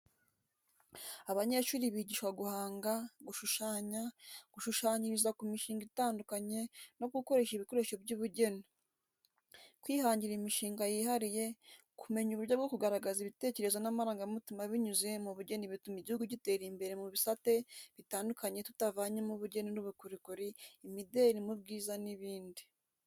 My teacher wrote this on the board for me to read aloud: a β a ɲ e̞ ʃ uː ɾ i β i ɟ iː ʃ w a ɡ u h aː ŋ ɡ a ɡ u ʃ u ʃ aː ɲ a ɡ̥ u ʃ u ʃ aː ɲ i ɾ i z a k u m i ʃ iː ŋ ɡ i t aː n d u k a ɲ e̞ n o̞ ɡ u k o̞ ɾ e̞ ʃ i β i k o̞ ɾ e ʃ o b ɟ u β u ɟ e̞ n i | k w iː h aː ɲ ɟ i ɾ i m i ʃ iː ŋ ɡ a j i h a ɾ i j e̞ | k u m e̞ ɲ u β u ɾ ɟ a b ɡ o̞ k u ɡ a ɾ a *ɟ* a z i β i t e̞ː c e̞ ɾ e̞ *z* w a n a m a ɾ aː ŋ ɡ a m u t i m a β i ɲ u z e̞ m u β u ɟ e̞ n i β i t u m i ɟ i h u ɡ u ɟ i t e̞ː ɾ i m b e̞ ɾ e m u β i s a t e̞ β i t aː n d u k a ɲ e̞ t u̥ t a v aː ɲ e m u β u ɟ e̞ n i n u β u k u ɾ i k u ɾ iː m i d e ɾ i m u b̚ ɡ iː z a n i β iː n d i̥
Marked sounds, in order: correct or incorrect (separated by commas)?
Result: incorrect, correct